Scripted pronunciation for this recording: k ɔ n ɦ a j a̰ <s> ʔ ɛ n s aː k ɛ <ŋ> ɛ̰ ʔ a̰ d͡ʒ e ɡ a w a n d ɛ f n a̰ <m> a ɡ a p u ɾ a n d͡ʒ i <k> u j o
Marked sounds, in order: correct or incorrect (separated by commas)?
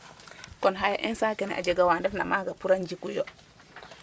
incorrect, incorrect, correct, correct